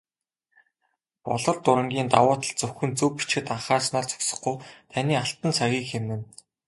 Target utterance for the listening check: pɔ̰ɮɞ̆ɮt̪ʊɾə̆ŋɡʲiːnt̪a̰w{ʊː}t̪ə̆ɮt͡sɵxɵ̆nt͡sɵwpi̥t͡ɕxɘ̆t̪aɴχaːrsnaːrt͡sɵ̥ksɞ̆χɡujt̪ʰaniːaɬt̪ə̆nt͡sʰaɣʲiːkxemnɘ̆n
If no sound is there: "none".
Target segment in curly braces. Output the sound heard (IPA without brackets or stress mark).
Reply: ʊː